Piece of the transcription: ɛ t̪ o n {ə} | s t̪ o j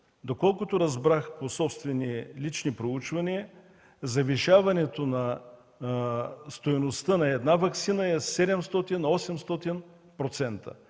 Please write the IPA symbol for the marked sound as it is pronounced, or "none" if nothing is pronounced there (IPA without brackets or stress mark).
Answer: ɐ